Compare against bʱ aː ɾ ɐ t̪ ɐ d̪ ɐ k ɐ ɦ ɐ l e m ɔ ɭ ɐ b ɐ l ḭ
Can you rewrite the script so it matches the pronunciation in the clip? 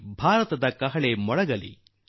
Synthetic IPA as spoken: bʱ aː ɾ ɐ t̪ ɐ d̪ ɐ k ɐ ɦ ɐ ɭ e m ɔ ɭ ɐ ɡ ɐ l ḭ

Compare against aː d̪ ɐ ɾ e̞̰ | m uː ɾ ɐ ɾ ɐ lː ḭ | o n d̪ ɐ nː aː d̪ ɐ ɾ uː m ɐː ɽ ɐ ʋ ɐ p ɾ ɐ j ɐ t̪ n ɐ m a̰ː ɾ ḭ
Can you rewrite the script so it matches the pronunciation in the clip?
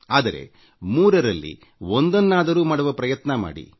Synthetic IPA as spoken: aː d̪ ɐ ɾ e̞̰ | m uː ɾ ɐ ɾ ɐ lː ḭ | o n d̪ ɐ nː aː d̪ ɐ ɾ uː m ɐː ɽ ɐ ʋ ɐ p ɾ ɐ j ɐ t̪ n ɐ m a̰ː ɽ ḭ

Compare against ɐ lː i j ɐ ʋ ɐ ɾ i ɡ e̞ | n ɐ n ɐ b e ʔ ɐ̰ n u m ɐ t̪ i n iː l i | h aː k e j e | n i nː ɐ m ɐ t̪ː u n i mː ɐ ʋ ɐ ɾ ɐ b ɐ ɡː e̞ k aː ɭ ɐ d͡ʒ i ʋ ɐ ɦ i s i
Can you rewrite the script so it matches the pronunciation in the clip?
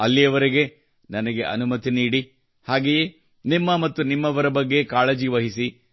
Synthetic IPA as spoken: ɐ lː i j ɐ ʋ ɐ ɾ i ɡ e̞ | n ɐ n ɐ ɡ e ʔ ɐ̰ n u m ɐ t̪ i n iː ɽ i | h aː ɡ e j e | n i mː ɐ m ɐ t̪ː u n i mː ɐ ʋ ɐ ɾ ɐ b ɐ ɡː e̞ k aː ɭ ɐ d͡ʒ i ʋ ɐ ɦ i s i

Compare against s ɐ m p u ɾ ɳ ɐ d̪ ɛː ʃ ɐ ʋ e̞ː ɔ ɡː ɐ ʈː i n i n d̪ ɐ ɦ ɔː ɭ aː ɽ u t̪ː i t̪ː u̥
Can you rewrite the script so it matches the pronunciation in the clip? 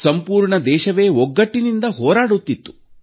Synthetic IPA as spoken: s ɐ m p uː ɾ ɳ ɐ d̪ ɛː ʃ ɐ ʋ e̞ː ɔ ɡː ɐ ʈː i n i n d̪ ɐ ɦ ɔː ɾ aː ɽ u t̪ː i t̪ː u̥

